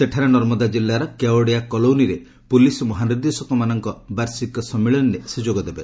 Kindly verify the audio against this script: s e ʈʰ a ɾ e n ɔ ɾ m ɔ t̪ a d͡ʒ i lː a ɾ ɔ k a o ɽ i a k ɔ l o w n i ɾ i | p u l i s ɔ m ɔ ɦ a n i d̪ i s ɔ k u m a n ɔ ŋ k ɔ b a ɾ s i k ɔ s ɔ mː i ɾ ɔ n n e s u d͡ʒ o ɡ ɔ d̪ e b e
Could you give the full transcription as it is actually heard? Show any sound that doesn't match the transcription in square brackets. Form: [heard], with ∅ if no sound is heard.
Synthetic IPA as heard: s e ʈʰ a ɾ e n ɔ ɾ m ɔ [d̪] a d͡ʒ i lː a ɾ ɔ k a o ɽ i a k ɔ l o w n i ɾ [e] | p u l i s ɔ m ɔ ɦ a n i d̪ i s ɔ k [ɔ] m a n ɔ ŋ k ɔ b a ɾ s i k ɔ s ɔ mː i [ɭ] ɔ n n e s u d͡ʒ o ɡ ɔ d̪ e b e